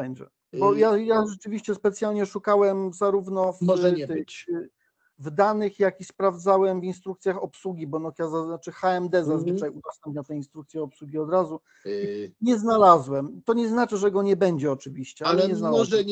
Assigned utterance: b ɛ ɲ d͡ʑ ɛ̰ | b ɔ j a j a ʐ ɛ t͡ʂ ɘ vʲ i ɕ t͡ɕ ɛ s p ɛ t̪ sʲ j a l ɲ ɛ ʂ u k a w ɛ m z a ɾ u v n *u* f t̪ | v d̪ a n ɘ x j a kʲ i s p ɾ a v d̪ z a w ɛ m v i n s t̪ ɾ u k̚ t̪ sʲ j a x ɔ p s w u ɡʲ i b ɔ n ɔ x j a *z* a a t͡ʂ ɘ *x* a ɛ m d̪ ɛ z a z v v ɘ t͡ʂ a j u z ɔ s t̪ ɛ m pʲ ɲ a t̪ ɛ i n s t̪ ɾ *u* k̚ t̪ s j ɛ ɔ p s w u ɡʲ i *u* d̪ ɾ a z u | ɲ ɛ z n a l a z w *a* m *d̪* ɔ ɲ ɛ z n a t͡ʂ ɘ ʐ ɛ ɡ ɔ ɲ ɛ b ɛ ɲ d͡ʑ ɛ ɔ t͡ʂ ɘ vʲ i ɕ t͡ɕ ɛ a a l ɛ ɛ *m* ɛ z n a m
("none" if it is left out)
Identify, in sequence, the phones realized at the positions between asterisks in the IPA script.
ɔ, z, x, u, ɔ, ɛ, t̪, ɲ

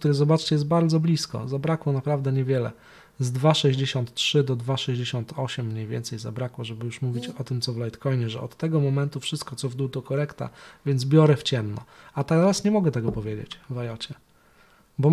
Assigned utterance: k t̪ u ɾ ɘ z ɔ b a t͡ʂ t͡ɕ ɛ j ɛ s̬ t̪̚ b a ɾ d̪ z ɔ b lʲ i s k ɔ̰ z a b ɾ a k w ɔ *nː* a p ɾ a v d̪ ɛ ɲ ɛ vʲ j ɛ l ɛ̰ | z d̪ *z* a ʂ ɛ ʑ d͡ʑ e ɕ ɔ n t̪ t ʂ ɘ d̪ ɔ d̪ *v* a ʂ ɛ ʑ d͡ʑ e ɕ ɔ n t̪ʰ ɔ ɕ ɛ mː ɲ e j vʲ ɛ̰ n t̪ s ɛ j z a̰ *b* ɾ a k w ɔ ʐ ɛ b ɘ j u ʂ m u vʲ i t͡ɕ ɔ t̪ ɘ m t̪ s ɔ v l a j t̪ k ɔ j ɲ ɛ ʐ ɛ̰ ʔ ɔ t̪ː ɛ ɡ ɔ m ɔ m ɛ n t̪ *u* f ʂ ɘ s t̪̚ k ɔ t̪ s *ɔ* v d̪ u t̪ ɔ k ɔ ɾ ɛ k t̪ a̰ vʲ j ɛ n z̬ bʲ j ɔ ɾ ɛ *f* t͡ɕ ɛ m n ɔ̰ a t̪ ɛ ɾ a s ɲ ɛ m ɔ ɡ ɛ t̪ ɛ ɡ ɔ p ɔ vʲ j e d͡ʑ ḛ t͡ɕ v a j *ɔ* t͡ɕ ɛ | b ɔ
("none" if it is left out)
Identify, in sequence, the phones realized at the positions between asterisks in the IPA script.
n, v, v, b, u, ɔ, f, ɔ

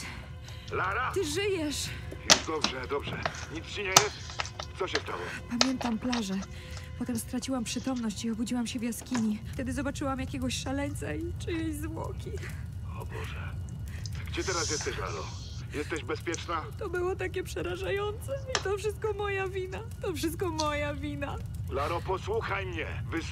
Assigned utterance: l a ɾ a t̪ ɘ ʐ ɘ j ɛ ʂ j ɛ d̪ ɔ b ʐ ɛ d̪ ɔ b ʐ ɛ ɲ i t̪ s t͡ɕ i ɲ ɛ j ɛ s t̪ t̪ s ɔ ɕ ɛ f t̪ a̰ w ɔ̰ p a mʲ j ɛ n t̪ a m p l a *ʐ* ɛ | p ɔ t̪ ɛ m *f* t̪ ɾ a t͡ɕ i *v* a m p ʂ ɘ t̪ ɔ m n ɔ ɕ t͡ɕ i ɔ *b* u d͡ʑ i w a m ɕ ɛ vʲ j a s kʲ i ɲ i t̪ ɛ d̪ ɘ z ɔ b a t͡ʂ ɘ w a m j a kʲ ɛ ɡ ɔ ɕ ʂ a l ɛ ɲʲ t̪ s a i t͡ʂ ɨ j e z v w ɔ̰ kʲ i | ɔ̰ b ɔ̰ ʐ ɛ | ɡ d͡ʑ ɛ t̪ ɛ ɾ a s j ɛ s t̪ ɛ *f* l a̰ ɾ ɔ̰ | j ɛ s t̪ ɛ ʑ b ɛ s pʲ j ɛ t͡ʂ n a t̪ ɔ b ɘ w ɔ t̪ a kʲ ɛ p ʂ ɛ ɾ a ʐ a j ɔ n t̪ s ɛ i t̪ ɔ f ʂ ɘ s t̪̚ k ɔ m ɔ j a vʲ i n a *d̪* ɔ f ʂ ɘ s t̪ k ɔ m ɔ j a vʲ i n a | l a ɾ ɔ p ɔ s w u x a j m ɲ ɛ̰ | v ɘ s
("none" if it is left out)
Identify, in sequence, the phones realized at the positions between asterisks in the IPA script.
ʐ, s, w, b, ɕ, t̪

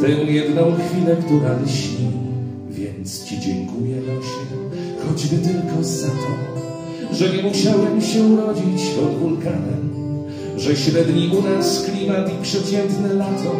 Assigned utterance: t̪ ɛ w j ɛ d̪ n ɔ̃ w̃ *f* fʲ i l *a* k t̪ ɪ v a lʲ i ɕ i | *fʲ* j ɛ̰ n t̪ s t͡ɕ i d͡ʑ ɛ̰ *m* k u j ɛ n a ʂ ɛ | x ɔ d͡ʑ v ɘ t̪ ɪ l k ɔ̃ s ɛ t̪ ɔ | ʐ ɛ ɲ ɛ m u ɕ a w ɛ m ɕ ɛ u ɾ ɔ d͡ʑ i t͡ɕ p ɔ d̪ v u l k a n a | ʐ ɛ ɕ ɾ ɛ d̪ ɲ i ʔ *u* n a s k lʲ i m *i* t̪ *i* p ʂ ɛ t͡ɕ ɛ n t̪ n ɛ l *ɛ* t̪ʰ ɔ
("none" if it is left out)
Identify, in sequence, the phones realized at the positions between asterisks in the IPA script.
x, ɛ, vʲ, ŋ, u, a, i, a

